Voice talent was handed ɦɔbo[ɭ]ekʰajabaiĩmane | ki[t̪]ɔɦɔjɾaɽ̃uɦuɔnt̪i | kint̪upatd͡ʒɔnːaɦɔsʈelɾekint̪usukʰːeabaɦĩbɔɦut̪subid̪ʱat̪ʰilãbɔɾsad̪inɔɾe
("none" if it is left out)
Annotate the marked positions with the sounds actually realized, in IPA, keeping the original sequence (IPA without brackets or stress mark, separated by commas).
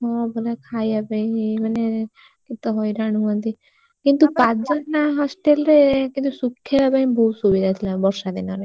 l, t̪